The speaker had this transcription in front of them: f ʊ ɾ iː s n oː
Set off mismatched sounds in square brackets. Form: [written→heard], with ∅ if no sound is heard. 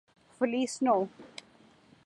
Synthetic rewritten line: f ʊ [ɾ→l] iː s n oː